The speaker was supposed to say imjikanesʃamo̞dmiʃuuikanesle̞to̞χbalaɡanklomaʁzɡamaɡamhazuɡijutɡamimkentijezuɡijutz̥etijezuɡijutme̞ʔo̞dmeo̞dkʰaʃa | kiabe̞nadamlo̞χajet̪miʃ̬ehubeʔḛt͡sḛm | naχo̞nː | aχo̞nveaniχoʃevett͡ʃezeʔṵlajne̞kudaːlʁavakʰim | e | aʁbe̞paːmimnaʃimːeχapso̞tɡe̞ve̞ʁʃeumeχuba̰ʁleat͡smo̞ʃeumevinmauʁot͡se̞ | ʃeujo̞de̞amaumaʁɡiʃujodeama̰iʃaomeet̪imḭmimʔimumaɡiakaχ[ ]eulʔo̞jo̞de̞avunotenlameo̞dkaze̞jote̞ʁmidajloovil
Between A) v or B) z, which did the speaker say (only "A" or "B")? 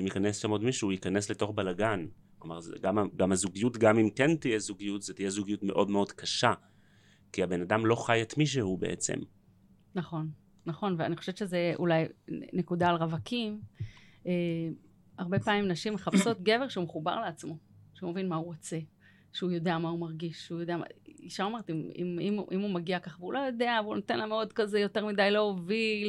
A